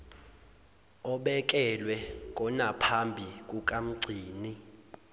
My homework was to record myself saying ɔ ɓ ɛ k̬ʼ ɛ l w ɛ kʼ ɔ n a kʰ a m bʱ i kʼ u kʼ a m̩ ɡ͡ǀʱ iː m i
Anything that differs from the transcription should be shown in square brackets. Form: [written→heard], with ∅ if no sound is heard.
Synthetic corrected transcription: ɔ ɓ ɛ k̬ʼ ɛ l w ɛ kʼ ɔ n a [kʰ→pʰ] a m bʱ i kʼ u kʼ a m̩ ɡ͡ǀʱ iː [m→n] i